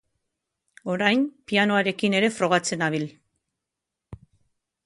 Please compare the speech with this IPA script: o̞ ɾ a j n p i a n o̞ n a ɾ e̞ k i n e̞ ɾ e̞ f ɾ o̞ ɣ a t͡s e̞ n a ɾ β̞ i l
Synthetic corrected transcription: o̞ ɾ a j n p i a n o̞ a ɾ e̞ k i n e̞ ɾ e̞ f ɾ o̞ ɣ a t͡s e̞ n a β̞ i l